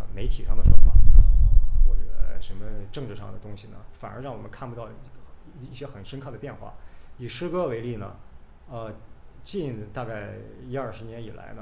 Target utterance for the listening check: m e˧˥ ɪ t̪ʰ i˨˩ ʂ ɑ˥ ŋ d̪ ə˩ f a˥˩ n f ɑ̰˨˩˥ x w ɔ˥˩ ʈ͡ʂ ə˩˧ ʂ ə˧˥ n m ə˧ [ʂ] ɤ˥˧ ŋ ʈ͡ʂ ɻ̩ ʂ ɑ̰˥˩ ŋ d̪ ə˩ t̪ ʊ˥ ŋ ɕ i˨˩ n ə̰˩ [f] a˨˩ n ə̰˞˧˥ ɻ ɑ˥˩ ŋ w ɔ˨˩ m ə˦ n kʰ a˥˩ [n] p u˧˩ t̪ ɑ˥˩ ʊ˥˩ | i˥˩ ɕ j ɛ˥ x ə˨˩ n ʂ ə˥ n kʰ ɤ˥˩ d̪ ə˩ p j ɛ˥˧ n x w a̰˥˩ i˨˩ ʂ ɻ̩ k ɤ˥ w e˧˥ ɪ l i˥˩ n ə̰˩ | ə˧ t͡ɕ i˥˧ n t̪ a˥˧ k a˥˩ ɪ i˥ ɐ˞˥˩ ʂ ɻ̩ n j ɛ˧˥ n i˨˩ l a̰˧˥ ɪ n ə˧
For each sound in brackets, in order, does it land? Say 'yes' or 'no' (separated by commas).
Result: no, yes, yes